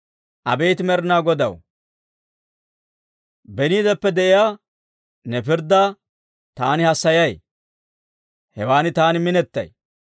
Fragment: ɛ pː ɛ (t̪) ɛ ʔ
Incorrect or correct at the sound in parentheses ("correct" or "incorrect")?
incorrect